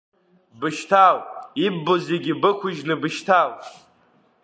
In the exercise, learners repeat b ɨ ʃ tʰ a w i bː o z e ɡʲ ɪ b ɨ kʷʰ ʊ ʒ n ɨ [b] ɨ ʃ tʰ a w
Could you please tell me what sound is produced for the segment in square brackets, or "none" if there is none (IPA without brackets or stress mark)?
b